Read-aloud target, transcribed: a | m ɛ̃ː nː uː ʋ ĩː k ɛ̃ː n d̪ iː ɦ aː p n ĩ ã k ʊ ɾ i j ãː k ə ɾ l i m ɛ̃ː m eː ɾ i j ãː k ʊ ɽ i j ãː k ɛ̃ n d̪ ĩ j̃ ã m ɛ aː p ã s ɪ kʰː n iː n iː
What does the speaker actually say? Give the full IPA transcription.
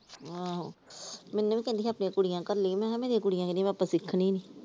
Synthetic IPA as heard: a | m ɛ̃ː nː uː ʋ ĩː k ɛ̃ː n d̪ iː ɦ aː p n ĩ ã k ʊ ɽ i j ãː k ə ɾ l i m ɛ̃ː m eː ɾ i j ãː k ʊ ɽ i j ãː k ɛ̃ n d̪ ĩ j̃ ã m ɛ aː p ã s ɪ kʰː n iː n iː